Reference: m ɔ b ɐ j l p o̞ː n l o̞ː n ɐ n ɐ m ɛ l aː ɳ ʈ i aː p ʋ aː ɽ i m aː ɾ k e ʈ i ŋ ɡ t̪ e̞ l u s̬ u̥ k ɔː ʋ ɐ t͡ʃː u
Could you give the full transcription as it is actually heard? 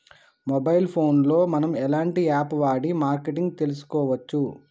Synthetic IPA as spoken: m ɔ b ɐ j l pʰ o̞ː n l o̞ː m ɐ n ɐ m ɛ l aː ɳ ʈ i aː p ʋ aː ɽ i m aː ɾ k e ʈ i ŋ ɡ t̪ e̞ l u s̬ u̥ k ɔː ʋ ɐ t͡ʃː u